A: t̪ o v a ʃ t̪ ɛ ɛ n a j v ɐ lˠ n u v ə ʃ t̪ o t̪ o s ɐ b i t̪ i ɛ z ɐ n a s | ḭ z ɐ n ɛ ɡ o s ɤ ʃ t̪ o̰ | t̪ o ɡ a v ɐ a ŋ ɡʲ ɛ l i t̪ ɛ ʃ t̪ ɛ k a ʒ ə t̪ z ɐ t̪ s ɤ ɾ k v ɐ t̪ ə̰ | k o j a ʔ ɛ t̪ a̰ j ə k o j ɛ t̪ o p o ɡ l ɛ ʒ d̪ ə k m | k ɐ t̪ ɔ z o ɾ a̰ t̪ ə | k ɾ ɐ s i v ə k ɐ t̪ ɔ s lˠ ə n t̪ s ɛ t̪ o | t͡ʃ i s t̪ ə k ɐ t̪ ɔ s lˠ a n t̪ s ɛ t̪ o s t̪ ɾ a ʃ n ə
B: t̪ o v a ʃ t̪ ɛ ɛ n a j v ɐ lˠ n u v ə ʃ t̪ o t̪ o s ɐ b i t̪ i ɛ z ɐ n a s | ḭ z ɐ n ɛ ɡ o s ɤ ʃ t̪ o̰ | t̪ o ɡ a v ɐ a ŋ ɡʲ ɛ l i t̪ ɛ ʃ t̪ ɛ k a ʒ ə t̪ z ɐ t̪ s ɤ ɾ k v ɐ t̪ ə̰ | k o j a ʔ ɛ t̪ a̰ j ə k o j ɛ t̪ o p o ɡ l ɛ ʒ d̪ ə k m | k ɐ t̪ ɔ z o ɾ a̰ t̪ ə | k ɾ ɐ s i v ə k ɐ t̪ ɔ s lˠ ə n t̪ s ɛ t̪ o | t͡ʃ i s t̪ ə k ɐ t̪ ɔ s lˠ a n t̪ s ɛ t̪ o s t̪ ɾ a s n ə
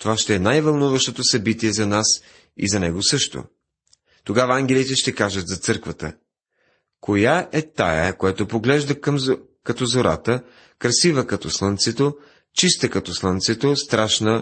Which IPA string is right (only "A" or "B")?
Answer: A